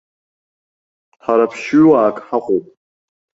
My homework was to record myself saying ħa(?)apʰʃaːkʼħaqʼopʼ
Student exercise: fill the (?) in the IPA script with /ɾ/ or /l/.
ɾ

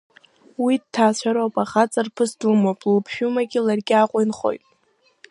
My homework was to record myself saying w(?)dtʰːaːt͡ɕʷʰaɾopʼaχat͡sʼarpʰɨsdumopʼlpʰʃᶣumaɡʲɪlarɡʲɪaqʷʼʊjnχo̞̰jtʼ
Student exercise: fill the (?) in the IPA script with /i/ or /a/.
i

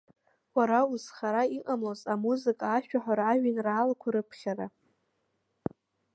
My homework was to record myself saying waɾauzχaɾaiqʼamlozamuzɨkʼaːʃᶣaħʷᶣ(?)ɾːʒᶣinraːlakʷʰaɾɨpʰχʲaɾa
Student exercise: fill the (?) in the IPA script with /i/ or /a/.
a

